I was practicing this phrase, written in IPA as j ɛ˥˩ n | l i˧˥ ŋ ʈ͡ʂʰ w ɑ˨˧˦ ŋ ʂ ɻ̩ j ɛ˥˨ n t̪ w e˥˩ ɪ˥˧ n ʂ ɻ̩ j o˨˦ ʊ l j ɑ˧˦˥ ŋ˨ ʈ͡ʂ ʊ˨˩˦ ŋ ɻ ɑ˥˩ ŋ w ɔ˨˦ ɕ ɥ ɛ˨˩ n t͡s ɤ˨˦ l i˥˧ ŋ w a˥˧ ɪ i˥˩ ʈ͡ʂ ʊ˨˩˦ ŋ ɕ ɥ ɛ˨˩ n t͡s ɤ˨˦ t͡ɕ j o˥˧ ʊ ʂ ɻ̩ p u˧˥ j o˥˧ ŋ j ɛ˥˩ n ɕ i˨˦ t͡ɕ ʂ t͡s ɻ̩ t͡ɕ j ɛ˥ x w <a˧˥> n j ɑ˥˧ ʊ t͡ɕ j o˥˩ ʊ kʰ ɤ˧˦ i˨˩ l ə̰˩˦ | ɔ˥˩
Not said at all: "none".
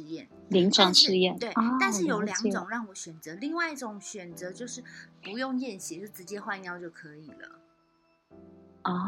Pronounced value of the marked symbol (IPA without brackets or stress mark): a˥˧